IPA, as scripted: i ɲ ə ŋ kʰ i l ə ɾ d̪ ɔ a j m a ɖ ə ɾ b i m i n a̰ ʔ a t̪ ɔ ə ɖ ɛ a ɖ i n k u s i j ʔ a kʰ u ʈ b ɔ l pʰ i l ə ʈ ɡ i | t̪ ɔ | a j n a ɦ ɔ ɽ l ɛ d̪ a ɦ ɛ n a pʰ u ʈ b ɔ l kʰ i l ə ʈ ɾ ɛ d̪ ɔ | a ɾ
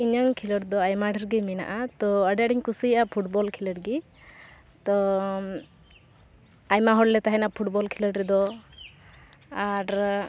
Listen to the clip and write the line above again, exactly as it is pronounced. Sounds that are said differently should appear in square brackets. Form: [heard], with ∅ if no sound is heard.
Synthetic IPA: i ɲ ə ŋ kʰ i l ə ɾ d̪ ɔ a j m a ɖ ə ɾ [ɡ] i m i n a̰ ʔ a t̪ ɔ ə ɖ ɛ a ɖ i [ɲ] k u s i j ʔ a [pʰ] u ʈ b ɔ l [kʰ] i l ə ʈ ɡ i | t̪ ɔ | a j [m] a ɦ ɔ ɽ l ɛ [t̪] a ɦ ɛ n a pʰ u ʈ b ɔ l kʰ i l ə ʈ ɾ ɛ d̪ ɔ | a ɾ